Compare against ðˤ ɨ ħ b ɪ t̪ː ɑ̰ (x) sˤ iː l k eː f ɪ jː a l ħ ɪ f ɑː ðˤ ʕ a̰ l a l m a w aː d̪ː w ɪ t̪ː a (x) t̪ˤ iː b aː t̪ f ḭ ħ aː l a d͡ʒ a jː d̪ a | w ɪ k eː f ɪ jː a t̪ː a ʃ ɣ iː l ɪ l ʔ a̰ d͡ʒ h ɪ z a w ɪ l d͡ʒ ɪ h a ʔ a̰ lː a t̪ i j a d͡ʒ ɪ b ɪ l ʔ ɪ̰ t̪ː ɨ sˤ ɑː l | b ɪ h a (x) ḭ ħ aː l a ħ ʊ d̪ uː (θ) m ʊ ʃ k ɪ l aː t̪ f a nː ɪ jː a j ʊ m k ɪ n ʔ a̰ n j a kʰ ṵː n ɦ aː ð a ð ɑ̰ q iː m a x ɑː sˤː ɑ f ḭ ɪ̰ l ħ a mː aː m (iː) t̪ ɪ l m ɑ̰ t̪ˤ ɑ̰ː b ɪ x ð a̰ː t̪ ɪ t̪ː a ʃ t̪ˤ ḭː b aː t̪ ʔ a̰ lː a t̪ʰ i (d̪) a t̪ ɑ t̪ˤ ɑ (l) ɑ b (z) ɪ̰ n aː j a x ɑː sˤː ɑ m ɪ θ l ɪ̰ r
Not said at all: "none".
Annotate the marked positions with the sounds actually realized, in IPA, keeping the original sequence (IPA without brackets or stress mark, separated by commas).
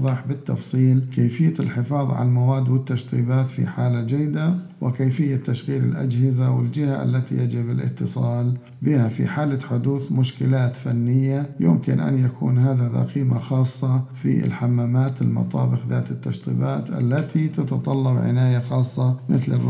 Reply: f, ʃ, f, θ, aː, t̪, lː, ʕ